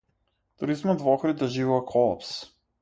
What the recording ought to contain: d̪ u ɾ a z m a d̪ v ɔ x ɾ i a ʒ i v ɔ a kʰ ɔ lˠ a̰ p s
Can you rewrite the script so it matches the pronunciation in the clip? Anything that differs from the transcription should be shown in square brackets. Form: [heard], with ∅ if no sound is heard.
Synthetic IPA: [t̪] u ɾ [i] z m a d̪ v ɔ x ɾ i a ʒ i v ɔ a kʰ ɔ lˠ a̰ p s